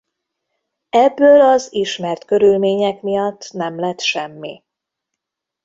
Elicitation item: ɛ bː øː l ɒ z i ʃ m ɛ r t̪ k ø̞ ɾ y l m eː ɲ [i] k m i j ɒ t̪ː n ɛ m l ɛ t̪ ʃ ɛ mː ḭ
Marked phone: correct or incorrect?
incorrect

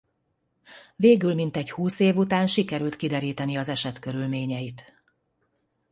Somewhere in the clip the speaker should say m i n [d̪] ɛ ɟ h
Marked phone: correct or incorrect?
incorrect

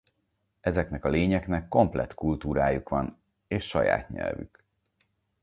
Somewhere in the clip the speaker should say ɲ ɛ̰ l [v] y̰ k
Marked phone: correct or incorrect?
correct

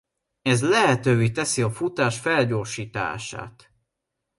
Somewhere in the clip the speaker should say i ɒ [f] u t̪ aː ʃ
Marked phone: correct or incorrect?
correct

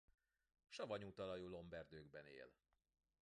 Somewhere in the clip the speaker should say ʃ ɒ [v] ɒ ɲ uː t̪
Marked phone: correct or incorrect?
correct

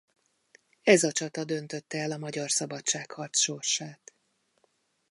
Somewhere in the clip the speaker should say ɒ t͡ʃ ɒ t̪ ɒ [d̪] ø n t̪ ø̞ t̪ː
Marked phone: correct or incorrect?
correct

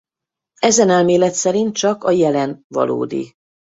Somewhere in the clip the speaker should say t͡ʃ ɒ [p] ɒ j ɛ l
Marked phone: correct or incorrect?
incorrect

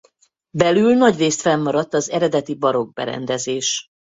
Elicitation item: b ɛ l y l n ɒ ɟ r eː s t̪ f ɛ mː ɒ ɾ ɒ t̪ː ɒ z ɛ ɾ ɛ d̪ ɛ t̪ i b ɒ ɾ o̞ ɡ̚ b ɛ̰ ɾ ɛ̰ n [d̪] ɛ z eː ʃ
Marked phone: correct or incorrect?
correct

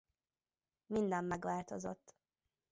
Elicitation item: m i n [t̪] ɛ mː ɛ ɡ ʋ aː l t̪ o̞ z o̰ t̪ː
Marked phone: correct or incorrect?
incorrect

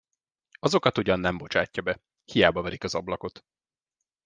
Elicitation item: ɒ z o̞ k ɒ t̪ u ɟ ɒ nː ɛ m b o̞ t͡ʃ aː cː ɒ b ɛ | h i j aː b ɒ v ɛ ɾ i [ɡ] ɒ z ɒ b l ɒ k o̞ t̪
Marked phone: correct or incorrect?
incorrect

